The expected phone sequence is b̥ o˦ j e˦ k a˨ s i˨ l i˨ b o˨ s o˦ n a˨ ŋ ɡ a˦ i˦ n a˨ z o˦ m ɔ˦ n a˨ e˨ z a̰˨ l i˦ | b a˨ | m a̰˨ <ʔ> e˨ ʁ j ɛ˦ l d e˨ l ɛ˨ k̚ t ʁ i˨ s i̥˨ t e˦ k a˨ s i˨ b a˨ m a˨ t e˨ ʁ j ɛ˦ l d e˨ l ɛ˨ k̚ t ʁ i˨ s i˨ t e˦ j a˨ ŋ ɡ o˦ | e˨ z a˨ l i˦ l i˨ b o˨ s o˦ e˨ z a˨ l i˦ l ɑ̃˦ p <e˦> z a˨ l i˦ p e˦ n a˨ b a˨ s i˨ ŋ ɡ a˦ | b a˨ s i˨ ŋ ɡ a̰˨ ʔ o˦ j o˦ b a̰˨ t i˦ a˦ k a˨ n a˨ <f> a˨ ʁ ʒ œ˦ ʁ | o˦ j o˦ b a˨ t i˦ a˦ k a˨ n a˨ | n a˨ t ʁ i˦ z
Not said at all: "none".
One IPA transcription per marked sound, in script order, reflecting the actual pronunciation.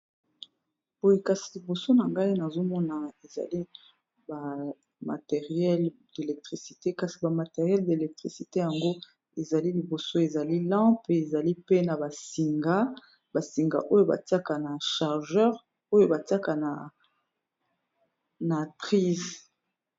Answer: t, e˨, ʃ

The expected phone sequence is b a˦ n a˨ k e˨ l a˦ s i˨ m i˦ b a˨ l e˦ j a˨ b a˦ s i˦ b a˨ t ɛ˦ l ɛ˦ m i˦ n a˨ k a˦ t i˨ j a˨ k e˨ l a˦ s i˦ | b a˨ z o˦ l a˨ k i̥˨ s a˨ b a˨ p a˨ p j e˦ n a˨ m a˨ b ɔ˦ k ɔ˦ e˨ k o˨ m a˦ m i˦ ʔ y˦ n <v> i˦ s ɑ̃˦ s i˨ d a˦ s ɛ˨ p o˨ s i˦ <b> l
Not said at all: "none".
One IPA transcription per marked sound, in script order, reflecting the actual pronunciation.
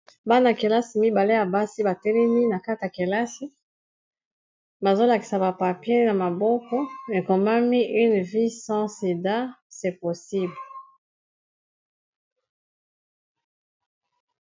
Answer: v, b

